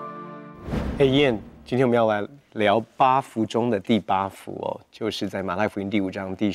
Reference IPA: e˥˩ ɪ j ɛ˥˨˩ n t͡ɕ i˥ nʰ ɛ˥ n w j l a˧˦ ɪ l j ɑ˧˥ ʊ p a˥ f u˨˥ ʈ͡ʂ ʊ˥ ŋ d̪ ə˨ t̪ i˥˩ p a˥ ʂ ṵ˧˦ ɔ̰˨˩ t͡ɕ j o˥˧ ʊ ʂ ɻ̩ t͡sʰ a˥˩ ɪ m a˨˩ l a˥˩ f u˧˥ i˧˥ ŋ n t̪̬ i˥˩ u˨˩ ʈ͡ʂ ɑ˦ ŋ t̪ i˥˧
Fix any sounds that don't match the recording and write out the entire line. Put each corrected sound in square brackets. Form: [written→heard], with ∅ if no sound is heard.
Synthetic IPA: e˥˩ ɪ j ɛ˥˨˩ n t͡ɕ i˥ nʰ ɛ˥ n w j l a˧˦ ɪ l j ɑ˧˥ ʊ p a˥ f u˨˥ ʈ͡ʂ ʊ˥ ŋ d̪ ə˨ t̪ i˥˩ p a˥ [ʂ→f] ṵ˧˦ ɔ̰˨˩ t͡ɕ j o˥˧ ʊ ʂ ɻ̩ [t͡sʰ→t͡s] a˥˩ ɪ m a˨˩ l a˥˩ f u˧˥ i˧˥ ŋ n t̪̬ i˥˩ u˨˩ ʈ͡ʂ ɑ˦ ŋ t̪ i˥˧